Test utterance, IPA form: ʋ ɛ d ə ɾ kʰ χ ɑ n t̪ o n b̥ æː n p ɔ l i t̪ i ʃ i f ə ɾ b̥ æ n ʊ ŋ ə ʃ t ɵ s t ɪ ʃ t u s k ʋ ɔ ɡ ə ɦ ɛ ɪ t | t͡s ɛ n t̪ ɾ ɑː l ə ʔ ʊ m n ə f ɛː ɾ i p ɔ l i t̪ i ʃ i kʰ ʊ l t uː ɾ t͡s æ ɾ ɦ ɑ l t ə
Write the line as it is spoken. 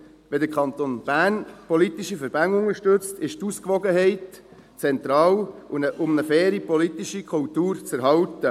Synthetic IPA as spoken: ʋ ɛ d ə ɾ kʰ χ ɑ n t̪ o n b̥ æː n p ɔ l i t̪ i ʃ i f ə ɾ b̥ æ n ʊ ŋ ə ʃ t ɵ t͡s t ɪ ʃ t u s k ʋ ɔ ɡ ə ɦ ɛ ɪ t | t͡s ɛ n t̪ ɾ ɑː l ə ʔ ʊ m n ə f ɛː ɾ i p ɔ l i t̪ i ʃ i kʰ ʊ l t uː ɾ t͡s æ ɾ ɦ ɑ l t ə